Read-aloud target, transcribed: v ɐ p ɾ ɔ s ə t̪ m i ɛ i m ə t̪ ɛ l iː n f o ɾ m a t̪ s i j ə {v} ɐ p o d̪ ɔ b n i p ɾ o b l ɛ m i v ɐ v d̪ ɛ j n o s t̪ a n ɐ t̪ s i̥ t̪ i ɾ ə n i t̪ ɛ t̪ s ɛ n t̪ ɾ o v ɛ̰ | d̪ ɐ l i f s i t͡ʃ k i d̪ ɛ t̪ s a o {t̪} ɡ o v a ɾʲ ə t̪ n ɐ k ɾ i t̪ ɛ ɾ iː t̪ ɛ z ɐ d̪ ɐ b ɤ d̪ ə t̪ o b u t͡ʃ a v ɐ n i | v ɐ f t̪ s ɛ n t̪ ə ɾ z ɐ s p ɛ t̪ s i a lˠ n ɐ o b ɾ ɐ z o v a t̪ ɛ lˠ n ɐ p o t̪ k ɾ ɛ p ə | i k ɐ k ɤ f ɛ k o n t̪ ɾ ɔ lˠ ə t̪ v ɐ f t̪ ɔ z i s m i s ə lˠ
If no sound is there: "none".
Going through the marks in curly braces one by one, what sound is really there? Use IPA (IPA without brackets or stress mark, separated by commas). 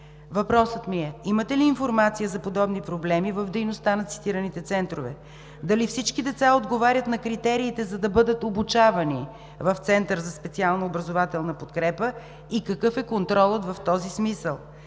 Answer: z, d̪